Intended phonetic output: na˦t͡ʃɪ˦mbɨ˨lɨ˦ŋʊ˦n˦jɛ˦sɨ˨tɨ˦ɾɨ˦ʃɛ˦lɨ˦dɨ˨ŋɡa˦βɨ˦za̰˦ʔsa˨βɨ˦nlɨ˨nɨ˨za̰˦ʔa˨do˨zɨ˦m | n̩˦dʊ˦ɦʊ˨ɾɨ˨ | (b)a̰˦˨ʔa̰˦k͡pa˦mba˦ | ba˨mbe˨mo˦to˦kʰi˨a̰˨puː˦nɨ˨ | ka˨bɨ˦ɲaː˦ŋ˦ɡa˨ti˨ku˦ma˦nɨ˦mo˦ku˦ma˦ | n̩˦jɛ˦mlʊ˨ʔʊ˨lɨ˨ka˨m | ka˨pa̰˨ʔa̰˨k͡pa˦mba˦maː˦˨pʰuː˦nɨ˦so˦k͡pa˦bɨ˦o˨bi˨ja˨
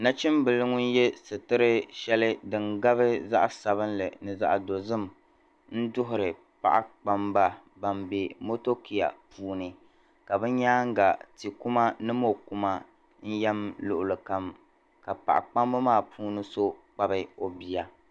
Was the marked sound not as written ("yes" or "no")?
yes